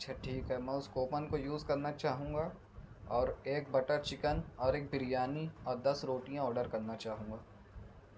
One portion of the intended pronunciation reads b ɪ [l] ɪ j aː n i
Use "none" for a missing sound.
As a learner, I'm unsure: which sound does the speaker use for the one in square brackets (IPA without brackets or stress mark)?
ɾ